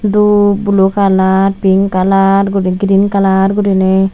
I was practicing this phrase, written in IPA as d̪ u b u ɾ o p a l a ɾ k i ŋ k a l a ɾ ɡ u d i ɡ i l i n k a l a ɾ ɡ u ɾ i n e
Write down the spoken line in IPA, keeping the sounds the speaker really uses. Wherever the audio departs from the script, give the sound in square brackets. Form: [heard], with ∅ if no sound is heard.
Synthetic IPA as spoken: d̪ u b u [l] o [k] a l a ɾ [p] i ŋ k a l a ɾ ɡ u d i ɡ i [ɾ] i n k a l a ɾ ɡ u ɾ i n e